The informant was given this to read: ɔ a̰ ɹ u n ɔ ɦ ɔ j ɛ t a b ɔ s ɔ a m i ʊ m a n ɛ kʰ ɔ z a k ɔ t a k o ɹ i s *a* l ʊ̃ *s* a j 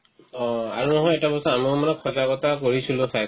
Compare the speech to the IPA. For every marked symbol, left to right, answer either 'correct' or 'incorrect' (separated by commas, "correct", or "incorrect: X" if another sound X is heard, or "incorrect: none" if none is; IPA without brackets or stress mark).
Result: incorrect: i, correct